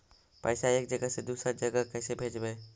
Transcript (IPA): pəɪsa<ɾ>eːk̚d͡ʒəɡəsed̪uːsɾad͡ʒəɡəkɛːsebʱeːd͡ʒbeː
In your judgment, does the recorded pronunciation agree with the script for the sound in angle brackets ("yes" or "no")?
no